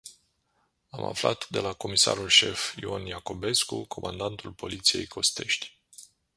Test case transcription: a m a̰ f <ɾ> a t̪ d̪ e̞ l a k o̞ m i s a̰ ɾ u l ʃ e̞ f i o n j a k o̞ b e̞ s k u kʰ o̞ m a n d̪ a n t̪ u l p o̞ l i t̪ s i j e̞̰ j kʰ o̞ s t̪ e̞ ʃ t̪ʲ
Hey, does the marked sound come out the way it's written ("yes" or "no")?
no